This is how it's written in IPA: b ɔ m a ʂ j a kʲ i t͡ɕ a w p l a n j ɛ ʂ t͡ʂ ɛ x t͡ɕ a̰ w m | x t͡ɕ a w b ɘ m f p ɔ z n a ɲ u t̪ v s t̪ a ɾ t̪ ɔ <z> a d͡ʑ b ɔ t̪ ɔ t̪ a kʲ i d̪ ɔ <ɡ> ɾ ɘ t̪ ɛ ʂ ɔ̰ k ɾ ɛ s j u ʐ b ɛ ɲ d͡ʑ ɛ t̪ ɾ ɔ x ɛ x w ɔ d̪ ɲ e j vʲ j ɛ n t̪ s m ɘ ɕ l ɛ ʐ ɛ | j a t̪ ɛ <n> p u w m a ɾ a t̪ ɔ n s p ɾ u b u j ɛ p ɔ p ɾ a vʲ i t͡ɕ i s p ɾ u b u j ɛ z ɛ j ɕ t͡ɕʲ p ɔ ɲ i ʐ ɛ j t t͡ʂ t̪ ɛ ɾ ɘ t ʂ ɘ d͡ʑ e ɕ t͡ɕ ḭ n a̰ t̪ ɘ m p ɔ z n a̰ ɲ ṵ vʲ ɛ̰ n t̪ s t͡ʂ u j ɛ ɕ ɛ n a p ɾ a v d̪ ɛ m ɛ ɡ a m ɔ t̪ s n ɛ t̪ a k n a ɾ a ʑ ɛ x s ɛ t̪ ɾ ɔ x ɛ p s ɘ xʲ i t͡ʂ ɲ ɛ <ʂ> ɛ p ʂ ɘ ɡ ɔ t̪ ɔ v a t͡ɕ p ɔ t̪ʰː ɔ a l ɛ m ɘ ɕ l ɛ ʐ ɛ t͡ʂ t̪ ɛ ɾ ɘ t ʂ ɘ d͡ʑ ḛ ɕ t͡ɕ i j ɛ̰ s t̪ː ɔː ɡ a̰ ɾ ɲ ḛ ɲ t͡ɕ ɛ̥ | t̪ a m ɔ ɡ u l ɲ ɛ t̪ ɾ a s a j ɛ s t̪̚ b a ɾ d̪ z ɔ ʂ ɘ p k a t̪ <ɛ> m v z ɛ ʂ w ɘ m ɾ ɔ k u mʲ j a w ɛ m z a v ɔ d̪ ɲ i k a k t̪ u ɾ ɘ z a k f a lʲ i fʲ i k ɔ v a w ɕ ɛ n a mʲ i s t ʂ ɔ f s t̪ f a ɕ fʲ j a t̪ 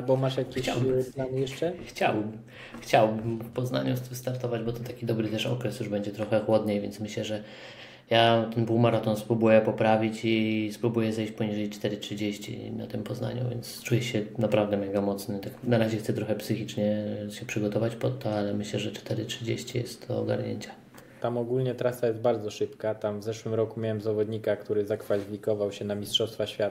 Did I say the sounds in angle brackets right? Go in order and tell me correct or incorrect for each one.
incorrect: v, incorrect: b, correct, incorrect: ɕ, incorrect: a

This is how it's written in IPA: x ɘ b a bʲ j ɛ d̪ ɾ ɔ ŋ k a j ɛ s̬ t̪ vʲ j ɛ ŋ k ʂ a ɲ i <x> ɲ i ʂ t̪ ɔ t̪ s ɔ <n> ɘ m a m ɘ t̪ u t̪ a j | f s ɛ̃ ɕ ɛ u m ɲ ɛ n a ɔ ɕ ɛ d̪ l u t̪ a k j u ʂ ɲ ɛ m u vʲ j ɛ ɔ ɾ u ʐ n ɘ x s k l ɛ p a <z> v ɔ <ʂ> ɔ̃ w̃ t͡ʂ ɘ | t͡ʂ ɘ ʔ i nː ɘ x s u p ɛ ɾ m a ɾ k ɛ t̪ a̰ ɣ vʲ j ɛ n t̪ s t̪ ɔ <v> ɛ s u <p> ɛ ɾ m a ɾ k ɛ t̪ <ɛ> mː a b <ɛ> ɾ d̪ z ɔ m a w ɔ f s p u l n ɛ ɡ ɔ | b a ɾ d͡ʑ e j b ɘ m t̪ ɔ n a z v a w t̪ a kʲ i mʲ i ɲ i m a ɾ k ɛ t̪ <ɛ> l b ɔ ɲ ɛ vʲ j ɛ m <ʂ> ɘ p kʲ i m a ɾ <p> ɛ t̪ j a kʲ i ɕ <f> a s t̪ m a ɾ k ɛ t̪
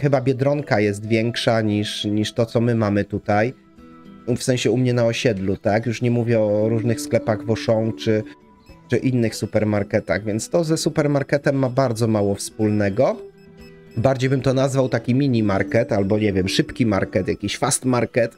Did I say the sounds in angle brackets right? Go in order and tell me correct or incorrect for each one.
incorrect: ʂ, incorrect: m, incorrect: ɣ, correct, incorrect: z, correct, correct, incorrect: a, incorrect: a, correct, incorrect: k, correct

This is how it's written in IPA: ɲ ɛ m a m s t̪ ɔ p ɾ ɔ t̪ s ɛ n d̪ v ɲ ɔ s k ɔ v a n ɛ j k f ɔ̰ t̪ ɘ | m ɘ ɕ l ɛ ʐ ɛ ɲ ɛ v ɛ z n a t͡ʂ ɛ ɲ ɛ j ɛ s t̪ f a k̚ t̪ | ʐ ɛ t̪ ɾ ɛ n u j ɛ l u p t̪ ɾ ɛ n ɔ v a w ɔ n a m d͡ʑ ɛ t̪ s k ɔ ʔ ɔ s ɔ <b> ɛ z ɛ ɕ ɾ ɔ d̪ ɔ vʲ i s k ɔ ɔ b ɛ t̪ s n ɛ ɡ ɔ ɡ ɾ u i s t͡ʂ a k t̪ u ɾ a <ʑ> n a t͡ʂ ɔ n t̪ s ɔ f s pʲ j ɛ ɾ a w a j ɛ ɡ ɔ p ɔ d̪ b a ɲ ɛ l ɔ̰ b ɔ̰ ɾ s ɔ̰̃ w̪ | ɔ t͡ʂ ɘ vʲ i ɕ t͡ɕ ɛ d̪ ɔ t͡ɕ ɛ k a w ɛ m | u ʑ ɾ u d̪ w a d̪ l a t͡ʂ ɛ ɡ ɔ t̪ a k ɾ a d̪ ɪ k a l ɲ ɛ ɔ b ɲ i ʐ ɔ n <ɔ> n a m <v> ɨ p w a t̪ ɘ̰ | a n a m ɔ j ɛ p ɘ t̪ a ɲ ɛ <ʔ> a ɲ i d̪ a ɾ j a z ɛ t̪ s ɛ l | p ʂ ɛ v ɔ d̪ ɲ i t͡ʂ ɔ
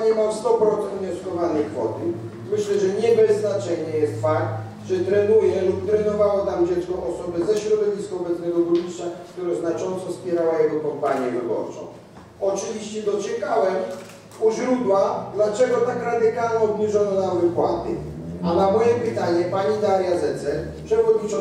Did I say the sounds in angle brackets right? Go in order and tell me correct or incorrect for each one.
correct, incorrect: z, correct, correct, incorrect: p

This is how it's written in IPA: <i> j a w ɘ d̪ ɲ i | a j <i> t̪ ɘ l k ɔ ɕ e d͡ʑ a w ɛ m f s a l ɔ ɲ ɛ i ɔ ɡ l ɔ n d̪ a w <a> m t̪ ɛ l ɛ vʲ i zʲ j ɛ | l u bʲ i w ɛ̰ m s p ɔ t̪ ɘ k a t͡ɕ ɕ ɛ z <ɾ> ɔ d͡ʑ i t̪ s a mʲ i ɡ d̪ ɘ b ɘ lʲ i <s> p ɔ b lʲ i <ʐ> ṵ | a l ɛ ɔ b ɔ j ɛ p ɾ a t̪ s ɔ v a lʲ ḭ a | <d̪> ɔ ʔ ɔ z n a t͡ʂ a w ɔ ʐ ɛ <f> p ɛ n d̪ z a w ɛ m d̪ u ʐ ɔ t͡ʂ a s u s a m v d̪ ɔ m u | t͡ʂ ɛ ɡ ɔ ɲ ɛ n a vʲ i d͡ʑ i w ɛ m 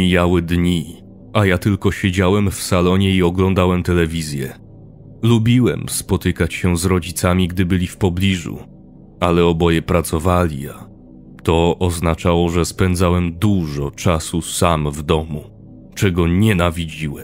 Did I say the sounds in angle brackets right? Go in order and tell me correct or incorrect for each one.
correct, incorrect: a, incorrect: ɛ, correct, incorrect: f, correct, incorrect: t̪, incorrect: s

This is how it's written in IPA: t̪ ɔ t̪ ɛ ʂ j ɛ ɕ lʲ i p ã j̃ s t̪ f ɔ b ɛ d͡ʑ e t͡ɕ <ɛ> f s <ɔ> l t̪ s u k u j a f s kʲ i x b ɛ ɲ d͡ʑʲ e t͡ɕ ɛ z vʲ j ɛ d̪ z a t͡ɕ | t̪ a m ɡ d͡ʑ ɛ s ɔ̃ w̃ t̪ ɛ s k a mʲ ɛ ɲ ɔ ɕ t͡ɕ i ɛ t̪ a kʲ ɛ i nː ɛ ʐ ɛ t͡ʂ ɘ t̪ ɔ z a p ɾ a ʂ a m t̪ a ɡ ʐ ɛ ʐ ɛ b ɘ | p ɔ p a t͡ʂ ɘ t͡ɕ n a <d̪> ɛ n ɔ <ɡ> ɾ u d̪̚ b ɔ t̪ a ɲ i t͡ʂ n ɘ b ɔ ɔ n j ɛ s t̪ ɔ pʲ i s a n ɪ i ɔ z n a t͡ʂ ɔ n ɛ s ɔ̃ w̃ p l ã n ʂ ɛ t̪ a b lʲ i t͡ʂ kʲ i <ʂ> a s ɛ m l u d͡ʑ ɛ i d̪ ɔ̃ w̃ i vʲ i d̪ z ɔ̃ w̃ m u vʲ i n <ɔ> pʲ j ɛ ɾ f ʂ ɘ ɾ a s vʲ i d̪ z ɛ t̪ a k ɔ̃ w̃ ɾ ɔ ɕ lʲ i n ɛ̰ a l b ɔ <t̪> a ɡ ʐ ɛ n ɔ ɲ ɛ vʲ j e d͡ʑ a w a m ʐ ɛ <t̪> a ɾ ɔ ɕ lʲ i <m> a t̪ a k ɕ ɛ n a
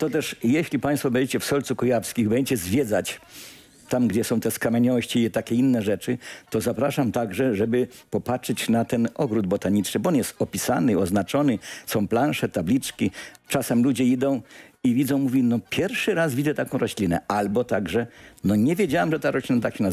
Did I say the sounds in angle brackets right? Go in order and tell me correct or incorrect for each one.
correct, correct, incorrect: t̪, correct, incorrect: t͡ʂ, correct, correct, correct, incorrect: n

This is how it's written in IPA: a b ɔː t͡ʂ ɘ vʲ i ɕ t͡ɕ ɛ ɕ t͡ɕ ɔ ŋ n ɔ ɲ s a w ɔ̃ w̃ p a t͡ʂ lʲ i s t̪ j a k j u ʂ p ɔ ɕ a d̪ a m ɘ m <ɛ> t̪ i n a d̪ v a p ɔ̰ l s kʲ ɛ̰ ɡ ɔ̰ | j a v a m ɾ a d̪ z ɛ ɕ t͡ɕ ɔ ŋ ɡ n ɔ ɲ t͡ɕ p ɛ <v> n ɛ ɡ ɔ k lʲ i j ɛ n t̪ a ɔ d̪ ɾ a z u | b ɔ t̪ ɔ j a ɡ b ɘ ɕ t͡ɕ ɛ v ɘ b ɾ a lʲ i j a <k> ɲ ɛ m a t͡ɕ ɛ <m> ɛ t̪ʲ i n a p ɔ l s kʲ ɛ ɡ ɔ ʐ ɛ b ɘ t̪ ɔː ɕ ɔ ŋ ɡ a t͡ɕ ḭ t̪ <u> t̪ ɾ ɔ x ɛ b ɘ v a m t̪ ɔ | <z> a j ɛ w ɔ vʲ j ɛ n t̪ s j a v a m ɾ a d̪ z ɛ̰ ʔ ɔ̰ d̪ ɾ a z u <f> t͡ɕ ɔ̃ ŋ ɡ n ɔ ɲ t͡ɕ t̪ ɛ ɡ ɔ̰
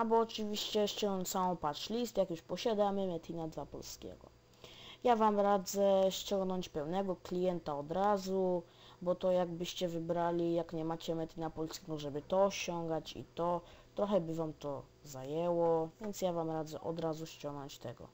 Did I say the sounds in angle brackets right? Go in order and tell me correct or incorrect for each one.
correct, incorrect: w, correct, correct, incorrect: ɔ, correct, incorrect: ɕ

